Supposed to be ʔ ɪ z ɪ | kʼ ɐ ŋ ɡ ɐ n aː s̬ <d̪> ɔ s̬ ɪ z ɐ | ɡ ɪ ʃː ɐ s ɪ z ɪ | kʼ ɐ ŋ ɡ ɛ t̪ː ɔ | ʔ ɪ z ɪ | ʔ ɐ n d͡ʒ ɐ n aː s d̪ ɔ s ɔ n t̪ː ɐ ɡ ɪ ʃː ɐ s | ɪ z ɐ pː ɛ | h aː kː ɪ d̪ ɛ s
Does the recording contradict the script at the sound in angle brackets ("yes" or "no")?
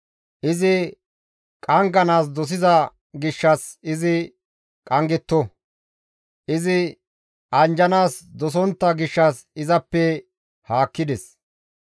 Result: no